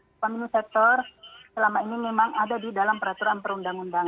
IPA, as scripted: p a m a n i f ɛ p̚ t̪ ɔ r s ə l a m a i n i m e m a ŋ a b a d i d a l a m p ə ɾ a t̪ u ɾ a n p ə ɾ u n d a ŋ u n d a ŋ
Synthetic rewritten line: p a m i n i s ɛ k̚ t̪ ɔ r s ə l a m a i n i m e m a ŋ a d a d i d a l a m p ə ɾ a t̪ u ɾ a n p ə ɾ u n d a ŋ u n d a ŋ

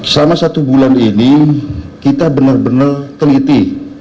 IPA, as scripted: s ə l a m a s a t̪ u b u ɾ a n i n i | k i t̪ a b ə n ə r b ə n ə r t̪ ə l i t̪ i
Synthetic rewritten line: s ə l a m a s a t̪ u b u l a n i n i | k i t̪ a b ə n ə r b ə n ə r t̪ ə l i t̪ i

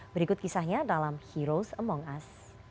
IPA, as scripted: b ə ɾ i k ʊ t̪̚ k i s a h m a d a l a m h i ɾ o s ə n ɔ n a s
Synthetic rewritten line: b ə ɾ i k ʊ t̪̚ k i s a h ɲ a d a l a m h i ɾ o s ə m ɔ ŋ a s

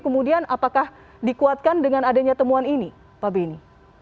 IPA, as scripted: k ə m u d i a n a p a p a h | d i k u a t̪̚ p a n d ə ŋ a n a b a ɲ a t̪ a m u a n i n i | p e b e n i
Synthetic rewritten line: k ə m u d i a n a p a k a h | d i k u a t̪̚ k a n d ə ŋ a n a d a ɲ a t̪ ə m u a n i n i | p a b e n i

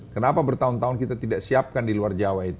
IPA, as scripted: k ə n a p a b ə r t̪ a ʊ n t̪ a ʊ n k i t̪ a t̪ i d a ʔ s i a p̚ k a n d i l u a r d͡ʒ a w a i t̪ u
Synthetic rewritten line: k ə n a p a b ə r t̪ a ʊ n t̪ a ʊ n k i t̪ a t̪ i d a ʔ s i a p̚ k a n d i l u a r d͡ʒ a w a i t̪ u

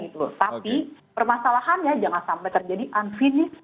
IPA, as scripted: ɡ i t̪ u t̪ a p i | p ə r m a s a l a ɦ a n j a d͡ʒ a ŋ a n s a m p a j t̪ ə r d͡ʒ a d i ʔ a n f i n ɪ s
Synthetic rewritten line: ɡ i t̪ u t̪ a p i | p ə r m a s a l a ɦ a n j a d͡ʒ a ŋ a n s a m p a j t̪ ə r d͡ʒ a d i ʔ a n f i n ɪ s

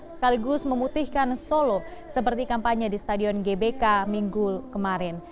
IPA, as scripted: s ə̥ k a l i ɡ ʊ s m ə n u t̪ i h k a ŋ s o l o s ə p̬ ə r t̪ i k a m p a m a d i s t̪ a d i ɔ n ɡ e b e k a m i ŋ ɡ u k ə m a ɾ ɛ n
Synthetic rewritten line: s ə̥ k a l i ɡ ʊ s m ə m u t̪ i h k a n s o l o s ə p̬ ə r t̪ i k a m p a ɲ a d i s t̪ a d i ɔ n ɡ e b e k a m i ŋ ɡ u k ə m a ɾ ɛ n

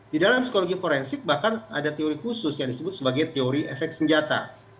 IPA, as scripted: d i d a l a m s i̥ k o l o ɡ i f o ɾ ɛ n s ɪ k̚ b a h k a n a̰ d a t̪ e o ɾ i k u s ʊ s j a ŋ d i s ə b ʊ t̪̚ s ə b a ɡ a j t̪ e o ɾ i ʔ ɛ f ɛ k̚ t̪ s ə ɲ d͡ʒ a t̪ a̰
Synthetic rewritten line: d i d a l a m s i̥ k o l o ɡ i f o ɾ ɛ n s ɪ k̚ b a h k a n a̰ d a t̪ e o ɾ i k u s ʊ s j a ŋ d i s ə b ʊ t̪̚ s ə b a ɡ a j t̪ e o ɾ i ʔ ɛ f ɛ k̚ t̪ s ə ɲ d͡ʒ a t̪ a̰

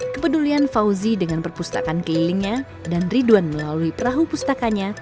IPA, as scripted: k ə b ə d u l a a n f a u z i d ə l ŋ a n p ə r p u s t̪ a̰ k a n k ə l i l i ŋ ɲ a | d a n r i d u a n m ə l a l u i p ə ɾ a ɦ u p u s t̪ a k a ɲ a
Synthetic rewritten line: k ə p ə d u l i a n f a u z i d ə ŋ a n p ə r p u s t̪ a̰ k a n k ə l i l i ŋ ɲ a | d a n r i d u a n m ə l a l u i p ə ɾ a ɦ u p u s t̪ a k a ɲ a

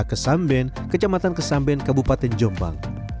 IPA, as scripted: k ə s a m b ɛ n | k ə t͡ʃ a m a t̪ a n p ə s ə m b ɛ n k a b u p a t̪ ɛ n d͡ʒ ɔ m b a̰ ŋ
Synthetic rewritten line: k ə s a m b ɛ n | k ə t͡ʃ a m a t̪ a n k ə s a m b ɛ n k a b u p a t̪ ɛ n d͡ʒ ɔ m b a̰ ŋ

